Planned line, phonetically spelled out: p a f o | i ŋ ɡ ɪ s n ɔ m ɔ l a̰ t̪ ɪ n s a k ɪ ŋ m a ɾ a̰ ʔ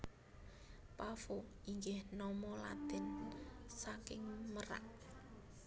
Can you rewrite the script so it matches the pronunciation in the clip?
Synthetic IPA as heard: p a f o | i ŋ ɡ ɪ h n ɔ m ɔ l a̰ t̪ ɪ n s a k ɪ ŋ m ə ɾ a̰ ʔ